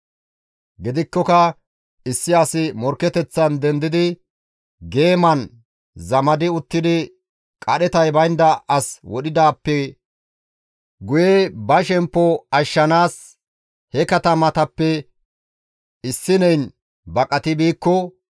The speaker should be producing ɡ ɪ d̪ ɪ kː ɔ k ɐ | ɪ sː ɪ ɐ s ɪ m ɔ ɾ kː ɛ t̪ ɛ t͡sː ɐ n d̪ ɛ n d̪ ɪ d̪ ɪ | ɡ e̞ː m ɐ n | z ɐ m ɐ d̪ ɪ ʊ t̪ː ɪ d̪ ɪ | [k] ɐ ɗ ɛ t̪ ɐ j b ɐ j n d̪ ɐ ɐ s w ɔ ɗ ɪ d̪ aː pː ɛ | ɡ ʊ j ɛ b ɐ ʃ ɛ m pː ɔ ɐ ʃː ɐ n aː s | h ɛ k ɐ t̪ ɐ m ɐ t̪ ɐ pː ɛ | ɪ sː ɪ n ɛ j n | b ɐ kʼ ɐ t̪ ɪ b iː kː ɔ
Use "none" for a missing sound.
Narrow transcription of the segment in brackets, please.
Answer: kʼ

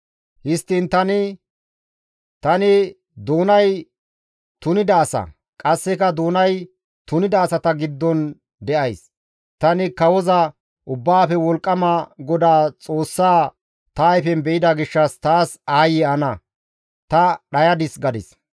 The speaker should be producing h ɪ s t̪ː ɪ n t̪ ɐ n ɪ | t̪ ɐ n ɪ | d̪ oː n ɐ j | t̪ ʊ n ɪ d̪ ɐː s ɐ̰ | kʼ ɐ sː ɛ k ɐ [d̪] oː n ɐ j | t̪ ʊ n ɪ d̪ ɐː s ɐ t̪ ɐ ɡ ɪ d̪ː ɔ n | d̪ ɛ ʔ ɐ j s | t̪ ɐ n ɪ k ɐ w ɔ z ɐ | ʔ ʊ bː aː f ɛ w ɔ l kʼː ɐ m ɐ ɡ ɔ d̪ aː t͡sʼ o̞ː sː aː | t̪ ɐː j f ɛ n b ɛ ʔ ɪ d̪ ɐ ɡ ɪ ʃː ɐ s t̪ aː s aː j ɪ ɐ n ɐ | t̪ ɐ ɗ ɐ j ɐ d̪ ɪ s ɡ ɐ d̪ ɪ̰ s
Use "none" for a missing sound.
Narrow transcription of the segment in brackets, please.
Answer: d̪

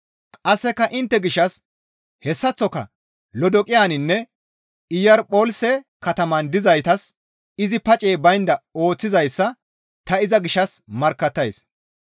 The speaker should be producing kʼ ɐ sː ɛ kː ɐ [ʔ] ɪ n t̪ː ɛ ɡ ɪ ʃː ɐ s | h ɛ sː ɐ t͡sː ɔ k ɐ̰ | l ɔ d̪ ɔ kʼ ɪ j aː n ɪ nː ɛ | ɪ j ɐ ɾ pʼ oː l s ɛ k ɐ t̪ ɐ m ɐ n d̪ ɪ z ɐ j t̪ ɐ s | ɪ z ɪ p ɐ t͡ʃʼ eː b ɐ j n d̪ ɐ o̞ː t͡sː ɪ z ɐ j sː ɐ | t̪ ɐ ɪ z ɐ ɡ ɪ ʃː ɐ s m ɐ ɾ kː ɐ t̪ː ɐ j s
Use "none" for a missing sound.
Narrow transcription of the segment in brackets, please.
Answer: ʔ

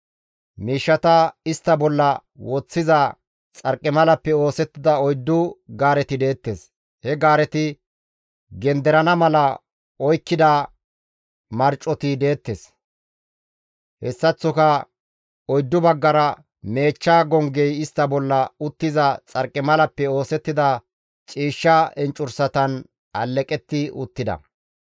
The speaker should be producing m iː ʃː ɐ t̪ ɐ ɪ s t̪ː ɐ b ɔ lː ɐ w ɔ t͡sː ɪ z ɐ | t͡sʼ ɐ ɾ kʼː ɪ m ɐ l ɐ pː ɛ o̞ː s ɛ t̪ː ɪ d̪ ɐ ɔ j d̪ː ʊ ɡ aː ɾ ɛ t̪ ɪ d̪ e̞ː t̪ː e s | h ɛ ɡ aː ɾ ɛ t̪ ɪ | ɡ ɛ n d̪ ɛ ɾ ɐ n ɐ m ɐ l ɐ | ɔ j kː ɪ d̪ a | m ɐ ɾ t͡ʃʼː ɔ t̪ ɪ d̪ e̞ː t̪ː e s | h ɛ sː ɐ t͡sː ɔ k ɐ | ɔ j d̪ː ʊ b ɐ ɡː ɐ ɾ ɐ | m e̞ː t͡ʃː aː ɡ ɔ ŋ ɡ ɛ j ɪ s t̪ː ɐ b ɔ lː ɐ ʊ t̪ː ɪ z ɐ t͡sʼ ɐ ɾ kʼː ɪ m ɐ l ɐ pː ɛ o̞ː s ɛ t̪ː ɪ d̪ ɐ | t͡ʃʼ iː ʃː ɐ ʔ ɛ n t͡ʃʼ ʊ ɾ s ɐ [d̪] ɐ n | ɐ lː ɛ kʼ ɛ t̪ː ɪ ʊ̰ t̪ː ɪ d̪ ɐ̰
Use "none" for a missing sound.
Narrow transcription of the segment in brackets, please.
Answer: t̪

